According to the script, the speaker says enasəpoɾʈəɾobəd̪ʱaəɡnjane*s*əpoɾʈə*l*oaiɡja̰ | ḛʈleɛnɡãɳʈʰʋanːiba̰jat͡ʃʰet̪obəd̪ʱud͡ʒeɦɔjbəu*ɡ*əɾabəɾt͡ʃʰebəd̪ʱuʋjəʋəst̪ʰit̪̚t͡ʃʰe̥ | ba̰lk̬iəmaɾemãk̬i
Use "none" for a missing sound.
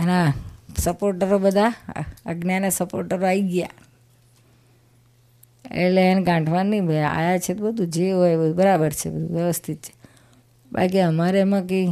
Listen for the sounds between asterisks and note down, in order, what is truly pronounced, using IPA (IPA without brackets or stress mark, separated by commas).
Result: s, ɾ, b